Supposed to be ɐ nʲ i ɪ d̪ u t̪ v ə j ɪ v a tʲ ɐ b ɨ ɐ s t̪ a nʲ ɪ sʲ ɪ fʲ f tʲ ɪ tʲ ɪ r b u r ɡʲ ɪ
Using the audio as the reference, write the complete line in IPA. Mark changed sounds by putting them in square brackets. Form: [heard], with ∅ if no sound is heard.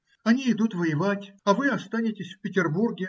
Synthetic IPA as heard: ɐ nʲ i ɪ d̪ u t̪ v ə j ɪ v a tʲ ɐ [v] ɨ ɐ s t̪ a nʲ ɪ [tʲ] ɪ [sʲ] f [pʲ] ɪ tʲ ɪ r b u r ɡʲ ɪ

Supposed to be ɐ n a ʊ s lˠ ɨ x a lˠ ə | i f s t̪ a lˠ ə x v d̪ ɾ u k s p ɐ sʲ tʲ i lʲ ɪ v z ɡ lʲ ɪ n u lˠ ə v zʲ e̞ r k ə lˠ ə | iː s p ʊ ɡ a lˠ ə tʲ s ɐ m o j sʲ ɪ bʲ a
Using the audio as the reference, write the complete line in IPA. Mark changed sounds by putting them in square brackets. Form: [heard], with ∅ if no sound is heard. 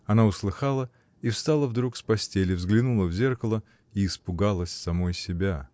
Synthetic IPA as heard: ɐ n a ʊ s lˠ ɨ x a lˠ ə | i f s t̪ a lˠ ə [∅] v d̪ ɾ u k s p ɐ sʲ tʲ [e] lʲ ɪ v z ɡ lʲ ɪ n u lˠ ə v zʲ e̞ r k ə lˠ ə | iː s p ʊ ɡ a lˠ ə [sʲ] s ɐ m o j sʲ ɪ bʲ a

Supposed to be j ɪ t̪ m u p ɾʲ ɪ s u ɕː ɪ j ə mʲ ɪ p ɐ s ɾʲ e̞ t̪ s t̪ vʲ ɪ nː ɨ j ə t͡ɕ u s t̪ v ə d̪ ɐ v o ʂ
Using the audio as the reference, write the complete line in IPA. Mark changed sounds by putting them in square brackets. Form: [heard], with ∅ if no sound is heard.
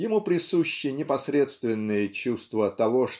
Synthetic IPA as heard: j ɪ [∅] m u p ɾʲ ɪ s u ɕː ɪ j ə [nʲ] ɪ p ɐ s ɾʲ e̞ t̪ s t̪ vʲ ɪ nː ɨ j ə t͡ɕ u s t̪ v ə [t̪] ɐ v o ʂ

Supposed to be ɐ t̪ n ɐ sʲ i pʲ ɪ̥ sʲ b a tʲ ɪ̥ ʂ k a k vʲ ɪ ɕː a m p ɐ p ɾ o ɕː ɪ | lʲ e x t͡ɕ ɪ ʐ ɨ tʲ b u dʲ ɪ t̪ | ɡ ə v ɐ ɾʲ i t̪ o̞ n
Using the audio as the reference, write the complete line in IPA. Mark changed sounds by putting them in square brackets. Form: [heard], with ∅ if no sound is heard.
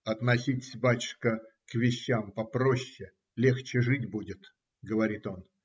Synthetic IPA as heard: ɐ t̪ n ɐ sʲ i [tʲ] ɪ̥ sʲ b a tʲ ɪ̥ ʂ k [ə] k vʲ ɪ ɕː a m p ɐ p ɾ o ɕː ɪ | lʲ e x t͡ɕ ɪ ʐ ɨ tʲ b u dʲ ɪ t̪ | ɡ ə v ɐ ɾʲ i t̪ o̞ n

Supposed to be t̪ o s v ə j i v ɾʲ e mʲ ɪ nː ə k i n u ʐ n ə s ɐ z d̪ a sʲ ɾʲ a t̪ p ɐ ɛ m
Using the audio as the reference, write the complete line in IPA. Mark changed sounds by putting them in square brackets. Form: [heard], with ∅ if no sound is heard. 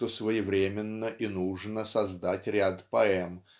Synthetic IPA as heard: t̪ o s v ə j [ɪ] v ɾʲ e mʲ ɪ nː ə [ʔ] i n u ʐ n ə s ɐ z d̪ a [tʲ] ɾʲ a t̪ p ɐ ɛ m

